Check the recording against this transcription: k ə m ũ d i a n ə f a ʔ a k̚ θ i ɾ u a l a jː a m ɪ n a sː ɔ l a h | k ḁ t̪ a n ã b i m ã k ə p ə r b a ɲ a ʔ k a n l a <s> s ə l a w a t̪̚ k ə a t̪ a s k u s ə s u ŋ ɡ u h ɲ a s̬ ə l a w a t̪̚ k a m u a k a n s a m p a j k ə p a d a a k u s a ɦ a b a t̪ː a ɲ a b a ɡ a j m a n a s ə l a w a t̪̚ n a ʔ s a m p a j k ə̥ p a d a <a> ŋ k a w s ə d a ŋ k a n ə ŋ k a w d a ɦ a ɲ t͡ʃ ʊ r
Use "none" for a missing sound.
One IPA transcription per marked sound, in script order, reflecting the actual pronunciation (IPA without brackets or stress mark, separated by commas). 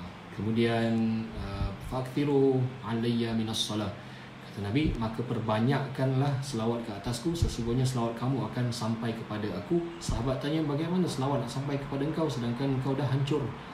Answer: h, ə